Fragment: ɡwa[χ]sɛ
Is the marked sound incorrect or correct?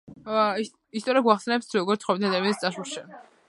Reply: correct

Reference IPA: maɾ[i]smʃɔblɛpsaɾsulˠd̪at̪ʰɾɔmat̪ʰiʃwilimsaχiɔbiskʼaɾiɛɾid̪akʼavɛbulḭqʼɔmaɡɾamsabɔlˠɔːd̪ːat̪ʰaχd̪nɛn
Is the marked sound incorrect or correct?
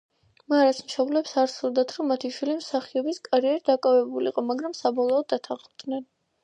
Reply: incorrect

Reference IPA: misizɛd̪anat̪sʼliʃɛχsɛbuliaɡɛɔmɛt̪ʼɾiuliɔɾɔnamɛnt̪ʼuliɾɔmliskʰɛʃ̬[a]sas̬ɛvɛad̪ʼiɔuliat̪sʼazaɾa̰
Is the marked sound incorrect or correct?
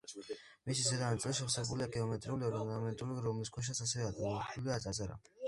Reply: correct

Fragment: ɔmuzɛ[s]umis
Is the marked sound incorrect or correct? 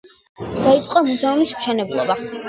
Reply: incorrect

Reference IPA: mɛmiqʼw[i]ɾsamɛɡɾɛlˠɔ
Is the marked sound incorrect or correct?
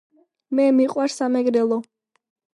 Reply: incorrect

